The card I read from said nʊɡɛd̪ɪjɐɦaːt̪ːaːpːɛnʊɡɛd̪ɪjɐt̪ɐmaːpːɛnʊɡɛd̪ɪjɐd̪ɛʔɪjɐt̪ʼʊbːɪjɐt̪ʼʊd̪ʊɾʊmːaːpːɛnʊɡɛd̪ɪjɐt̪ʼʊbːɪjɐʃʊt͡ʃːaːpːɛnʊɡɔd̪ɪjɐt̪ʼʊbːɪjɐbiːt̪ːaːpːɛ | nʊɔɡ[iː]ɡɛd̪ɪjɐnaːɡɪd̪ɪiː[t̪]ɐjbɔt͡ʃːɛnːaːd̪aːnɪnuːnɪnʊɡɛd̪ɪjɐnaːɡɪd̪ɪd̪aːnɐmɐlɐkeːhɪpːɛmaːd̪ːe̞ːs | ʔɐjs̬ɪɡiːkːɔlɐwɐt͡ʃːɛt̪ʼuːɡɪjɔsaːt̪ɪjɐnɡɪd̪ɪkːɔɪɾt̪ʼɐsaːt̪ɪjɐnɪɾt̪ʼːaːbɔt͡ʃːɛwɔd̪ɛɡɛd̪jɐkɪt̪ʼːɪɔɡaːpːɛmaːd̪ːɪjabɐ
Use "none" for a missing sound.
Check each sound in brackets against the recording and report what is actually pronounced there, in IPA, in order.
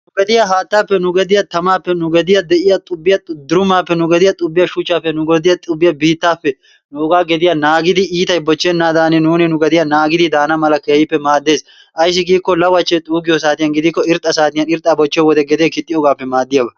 aː, t̪

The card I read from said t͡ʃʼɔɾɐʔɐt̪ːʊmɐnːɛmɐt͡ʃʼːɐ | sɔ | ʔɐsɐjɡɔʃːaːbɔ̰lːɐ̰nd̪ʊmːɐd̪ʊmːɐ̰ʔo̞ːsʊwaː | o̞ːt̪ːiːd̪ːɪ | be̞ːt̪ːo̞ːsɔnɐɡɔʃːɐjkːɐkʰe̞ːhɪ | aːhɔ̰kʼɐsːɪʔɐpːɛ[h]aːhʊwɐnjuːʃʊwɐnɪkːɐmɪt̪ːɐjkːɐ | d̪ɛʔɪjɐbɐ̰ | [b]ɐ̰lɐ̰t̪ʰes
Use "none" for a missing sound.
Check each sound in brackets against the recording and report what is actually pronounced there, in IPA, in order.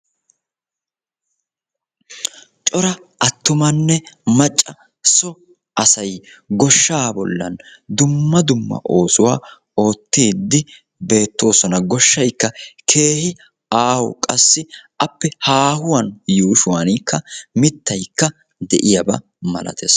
h, m

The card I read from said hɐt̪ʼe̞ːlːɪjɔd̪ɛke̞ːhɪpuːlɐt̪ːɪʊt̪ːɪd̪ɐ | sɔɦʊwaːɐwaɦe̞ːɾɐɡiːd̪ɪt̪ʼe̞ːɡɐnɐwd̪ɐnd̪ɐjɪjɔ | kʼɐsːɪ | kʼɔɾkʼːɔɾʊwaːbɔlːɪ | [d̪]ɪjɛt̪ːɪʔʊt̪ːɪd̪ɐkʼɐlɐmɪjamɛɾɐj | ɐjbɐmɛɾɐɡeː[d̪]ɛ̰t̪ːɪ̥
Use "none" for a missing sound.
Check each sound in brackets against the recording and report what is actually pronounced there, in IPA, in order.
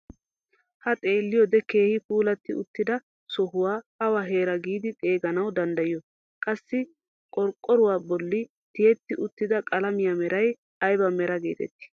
t̪, t̪

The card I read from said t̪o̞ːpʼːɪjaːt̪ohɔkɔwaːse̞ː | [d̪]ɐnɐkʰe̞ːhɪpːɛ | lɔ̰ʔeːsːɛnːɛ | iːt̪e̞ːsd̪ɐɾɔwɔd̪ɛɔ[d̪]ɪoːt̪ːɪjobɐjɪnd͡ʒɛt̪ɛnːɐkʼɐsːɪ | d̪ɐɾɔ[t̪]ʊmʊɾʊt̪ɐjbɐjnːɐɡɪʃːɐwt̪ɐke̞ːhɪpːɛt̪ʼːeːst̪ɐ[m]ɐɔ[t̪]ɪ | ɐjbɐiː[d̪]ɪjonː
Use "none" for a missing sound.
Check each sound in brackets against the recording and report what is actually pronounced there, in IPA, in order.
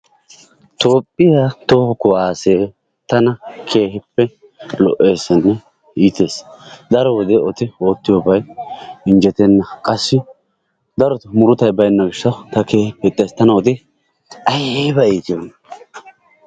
t̪, t̪, t̪, n, t̪, t̪

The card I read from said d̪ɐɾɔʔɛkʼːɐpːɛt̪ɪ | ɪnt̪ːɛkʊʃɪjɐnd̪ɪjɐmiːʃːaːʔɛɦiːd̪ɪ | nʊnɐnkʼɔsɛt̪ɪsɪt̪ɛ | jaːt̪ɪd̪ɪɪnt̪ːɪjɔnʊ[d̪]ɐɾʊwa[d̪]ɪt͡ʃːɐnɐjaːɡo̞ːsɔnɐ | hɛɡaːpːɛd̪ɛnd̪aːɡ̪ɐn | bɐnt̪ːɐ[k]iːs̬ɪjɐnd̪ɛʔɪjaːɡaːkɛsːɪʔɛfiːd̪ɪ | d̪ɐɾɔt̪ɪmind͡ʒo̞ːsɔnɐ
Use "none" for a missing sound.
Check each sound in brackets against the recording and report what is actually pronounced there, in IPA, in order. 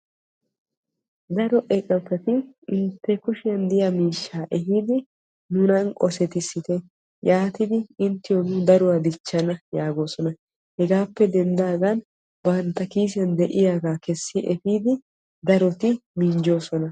d̪, d̪, k

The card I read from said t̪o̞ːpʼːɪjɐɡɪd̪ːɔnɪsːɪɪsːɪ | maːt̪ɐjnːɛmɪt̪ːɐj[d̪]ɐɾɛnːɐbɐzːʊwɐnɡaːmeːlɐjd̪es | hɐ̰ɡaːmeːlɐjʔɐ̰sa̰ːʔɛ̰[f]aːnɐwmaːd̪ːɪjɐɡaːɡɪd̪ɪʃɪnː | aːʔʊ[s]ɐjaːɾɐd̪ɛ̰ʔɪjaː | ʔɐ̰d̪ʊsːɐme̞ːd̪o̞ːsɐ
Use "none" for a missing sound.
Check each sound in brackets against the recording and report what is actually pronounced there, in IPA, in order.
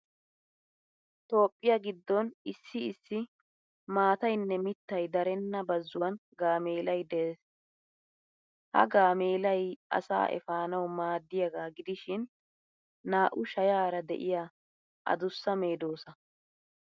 d̪, f, ʃ

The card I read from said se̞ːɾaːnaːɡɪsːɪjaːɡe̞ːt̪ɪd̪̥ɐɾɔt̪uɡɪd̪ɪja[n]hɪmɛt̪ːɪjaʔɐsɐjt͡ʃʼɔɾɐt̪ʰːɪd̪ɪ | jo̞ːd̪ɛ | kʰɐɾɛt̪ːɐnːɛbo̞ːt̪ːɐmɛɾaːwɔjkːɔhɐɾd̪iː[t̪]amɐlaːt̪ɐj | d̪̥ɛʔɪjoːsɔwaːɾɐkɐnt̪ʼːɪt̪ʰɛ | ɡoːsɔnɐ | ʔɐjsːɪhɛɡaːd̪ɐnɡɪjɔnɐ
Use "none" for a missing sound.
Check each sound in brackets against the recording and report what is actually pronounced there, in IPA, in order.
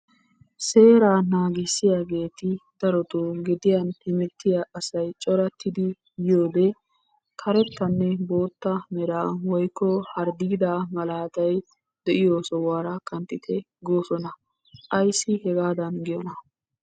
n, d̪

